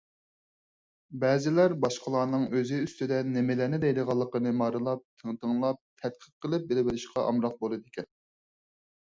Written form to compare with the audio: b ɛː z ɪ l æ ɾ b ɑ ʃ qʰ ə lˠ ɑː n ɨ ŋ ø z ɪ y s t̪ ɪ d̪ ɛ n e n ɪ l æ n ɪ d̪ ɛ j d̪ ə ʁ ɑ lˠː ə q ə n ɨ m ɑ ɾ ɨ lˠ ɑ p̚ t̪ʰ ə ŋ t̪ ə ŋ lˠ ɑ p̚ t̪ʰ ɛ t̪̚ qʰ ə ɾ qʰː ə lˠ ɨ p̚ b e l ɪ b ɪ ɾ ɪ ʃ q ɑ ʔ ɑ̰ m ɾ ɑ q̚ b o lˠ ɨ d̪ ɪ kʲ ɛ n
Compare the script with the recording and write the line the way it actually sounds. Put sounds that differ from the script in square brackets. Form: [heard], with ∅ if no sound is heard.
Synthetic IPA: b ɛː z ɪ l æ ɾ b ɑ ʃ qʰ ə lˠ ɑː n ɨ ŋ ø z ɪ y s t̪ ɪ d̪ ɛ n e [m] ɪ l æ n ɪ d̪ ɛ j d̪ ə ʁ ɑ lˠː ə q ə n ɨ m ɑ ɾ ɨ lˠ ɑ p̚ t̪ʰ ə ŋ t̪ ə ŋ lˠ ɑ p̚ t̪ʰ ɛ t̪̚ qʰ ə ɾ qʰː ə lˠ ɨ p̚ b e l ɪ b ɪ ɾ ɪ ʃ q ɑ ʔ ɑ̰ m ɾ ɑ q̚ b o lˠ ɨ d̪ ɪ kʲ ɛ n